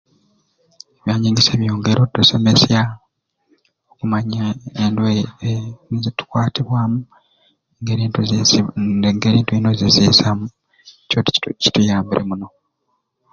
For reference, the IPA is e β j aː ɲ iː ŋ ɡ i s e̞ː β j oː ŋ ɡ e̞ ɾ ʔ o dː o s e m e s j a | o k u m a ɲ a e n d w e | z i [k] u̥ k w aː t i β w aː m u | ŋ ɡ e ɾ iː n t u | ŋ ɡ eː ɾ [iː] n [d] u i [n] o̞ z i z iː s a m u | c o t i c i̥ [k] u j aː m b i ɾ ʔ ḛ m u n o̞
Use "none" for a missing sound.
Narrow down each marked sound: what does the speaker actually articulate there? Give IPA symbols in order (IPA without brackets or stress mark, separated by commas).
t, iː, t, n, t